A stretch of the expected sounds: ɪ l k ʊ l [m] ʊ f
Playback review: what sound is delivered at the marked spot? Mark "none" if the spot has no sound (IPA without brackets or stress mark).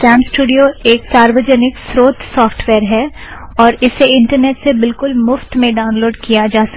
m